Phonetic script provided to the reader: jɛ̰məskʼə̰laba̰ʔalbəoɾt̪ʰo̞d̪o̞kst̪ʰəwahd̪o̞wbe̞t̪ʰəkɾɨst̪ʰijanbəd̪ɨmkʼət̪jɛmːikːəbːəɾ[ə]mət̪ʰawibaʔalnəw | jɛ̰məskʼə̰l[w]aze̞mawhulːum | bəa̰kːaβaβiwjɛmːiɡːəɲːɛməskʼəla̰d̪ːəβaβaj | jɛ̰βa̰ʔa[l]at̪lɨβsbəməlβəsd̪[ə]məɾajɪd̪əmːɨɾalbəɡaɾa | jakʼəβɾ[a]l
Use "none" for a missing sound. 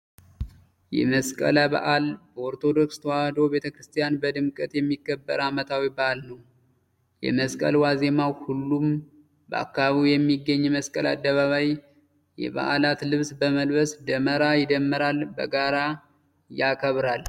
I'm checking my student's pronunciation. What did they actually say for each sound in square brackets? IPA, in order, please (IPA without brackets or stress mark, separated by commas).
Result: a, w, l, ə, a